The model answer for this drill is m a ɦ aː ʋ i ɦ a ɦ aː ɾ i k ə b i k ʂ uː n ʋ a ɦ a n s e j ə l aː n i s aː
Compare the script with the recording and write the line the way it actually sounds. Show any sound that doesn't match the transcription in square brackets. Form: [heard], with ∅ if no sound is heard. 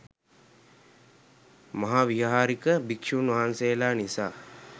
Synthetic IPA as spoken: m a ɦ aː ʋ i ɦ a ɦ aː ɾ i k ə b i k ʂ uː n ʋ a ɦ a n s e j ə l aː n i s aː